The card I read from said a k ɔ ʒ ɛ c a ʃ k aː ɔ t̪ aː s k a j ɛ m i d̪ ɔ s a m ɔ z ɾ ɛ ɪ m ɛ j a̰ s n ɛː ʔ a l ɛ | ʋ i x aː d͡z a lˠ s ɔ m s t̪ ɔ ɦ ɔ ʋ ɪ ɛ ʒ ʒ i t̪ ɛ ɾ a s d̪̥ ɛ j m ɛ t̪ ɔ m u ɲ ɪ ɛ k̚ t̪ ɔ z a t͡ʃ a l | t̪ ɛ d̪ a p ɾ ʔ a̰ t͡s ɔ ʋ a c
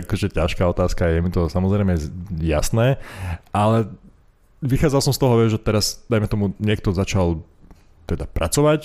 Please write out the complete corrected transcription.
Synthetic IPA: a k ɔ ʒ ɛ c a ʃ k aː ɔ t̪ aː s k a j ɛ m i t̪ ɔ s a m ɔ z ɾ ɛ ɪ m ɛ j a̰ s n ɛː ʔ a l ɛ | ʋ i x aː d͡z a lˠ s ɔ m s t̪ ɔ ɦ ɔ ʋ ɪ ɛ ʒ ʒ ɛ t̪ ɛ ɾ a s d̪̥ a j m ɛ t̪ ɔ m u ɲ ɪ ɛ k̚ t̪ ɔ z a t͡ʃ a l | t̪ ɛ d̪ a p ɾ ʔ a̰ t͡s ɔ ʋ a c